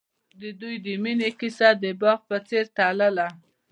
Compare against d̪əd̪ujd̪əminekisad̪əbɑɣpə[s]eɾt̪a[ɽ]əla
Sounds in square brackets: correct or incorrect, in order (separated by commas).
incorrect, incorrect